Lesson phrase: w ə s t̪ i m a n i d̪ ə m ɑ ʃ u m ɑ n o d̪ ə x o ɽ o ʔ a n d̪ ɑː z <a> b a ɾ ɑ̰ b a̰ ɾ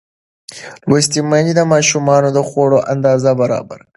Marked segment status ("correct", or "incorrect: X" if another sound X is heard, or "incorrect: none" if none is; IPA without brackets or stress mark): correct